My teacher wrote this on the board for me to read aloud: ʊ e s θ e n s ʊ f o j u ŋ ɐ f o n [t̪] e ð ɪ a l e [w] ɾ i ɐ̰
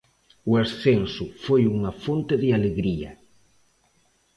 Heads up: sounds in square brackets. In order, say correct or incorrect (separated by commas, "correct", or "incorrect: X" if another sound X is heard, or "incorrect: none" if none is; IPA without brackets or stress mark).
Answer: correct, incorrect: ɣ